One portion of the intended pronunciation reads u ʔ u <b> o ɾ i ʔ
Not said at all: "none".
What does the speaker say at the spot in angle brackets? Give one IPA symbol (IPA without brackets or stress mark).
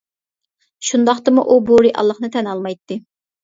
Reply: b